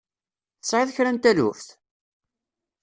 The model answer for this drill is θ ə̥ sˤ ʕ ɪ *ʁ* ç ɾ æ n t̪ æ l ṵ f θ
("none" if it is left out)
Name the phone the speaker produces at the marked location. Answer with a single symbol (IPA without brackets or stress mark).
ð